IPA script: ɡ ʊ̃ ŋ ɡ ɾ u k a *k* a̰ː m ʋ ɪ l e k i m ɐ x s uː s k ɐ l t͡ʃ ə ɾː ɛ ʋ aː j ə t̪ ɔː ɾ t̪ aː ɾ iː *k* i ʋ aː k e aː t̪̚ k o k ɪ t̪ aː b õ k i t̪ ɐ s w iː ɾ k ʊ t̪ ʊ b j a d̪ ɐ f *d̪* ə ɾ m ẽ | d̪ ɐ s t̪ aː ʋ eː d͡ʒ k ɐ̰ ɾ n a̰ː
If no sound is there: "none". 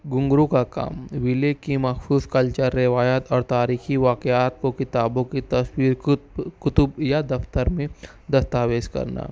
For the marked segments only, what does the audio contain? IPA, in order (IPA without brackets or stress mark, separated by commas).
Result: k, x, t̪